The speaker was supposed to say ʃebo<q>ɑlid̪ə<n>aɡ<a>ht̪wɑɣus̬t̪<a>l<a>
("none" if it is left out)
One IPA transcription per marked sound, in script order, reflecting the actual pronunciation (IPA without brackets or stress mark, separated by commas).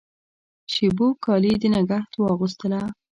k, n, a, ə, a